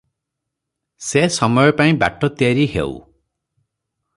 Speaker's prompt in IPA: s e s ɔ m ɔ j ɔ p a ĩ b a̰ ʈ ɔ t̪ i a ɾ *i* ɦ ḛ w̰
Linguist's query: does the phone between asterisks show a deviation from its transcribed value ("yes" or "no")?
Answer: no